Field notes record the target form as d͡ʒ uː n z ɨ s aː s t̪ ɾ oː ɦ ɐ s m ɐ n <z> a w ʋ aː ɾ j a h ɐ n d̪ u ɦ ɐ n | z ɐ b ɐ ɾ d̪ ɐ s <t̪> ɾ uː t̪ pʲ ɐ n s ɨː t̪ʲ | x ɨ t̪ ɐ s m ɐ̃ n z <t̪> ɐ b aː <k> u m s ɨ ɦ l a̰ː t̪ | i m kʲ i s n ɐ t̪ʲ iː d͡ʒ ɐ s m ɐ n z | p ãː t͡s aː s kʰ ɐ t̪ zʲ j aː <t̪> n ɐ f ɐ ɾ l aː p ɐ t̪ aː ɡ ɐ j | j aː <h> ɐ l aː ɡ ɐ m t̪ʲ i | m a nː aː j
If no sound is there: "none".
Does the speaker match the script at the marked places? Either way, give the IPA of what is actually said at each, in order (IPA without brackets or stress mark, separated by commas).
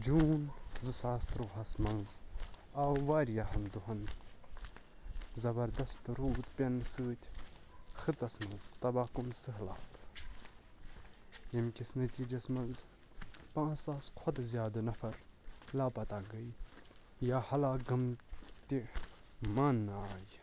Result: z, t̪, t̪, k, d̪, h